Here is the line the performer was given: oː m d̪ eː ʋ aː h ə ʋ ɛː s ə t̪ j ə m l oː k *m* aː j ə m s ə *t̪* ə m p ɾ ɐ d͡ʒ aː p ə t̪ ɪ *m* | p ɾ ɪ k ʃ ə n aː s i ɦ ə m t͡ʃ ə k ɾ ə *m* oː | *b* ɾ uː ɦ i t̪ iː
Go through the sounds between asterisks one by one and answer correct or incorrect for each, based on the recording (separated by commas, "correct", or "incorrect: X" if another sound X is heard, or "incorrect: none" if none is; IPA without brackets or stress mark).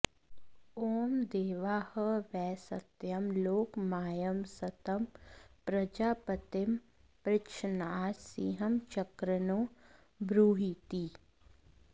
correct, correct, correct, incorrect: n, correct